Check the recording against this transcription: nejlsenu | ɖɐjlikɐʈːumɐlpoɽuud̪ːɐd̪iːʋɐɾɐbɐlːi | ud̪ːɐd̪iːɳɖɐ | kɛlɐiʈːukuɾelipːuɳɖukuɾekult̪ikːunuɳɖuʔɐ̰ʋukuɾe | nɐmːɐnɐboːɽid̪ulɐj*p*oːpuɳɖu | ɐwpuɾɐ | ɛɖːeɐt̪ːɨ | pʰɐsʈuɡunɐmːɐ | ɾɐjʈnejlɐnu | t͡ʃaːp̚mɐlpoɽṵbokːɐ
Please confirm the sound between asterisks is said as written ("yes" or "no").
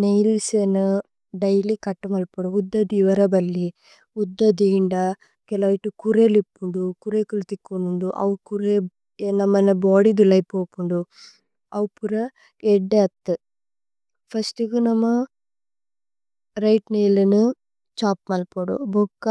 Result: yes